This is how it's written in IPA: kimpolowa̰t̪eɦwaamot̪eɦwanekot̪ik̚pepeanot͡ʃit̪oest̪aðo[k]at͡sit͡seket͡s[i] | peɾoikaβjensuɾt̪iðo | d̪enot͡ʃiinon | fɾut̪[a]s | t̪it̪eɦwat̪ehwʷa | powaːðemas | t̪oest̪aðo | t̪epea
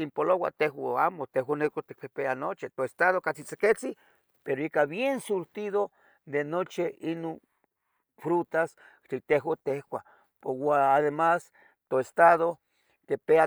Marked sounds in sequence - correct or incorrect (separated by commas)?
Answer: correct, correct, correct